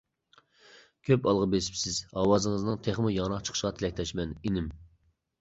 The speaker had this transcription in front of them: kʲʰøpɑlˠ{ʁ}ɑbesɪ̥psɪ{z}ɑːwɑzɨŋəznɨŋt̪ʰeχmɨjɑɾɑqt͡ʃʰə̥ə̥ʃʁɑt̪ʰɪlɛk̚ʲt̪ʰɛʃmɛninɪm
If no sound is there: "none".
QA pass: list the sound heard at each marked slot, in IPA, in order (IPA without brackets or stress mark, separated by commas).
ʁ, z